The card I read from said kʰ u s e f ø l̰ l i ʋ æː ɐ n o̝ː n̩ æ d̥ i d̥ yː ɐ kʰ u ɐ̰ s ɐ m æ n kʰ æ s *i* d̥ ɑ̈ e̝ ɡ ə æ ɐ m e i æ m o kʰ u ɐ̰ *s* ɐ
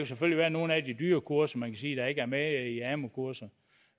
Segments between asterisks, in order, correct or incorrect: incorrect: iː, correct

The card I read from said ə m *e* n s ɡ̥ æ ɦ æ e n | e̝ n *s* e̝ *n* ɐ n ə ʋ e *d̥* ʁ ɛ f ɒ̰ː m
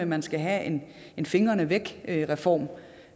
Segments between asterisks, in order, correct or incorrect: incorrect: æ, incorrect: f, incorrect: ŋ, incorrect: ɡ̥

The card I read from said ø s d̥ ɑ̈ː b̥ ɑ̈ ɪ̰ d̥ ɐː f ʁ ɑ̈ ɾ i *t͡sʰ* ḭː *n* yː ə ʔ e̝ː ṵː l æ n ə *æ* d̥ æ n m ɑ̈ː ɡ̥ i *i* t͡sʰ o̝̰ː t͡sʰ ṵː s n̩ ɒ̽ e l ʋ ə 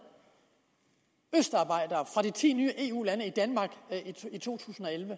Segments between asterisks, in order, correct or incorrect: correct, correct, incorrect: i, correct

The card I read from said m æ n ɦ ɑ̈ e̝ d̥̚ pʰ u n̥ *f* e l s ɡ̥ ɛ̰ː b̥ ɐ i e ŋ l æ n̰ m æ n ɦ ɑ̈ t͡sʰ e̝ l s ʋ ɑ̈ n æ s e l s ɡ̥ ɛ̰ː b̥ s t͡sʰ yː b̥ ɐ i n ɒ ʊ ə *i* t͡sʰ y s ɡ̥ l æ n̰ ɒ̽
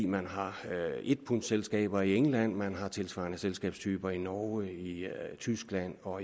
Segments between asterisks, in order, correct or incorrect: incorrect: s, correct

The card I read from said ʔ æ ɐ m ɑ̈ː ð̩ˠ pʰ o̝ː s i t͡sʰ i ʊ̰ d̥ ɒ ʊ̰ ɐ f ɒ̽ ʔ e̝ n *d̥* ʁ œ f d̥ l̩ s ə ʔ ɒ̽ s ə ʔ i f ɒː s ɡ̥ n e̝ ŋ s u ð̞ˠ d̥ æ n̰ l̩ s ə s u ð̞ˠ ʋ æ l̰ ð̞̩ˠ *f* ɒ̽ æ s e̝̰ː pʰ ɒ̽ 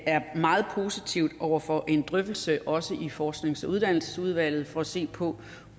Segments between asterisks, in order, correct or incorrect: correct, correct

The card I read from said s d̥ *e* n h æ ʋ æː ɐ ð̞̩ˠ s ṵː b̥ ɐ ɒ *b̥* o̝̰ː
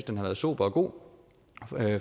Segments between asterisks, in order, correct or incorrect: correct, incorrect: ɡ̥

